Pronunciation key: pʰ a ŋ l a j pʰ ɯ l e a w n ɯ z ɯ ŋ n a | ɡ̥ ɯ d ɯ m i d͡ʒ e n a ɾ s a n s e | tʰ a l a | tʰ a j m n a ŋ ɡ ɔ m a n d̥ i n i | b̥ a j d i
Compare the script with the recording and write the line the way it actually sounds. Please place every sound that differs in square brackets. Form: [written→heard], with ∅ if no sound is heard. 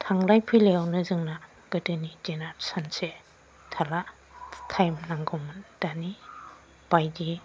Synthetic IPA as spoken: [pʰ→tʰ] a ŋ l a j pʰ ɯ l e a w n ɯ z ɯ ŋ n a | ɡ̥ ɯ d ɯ [m→n] i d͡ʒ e n a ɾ s a n s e | tʰ a l a | tʰ a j m n a ŋ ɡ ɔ m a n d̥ [i→a] n i | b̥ a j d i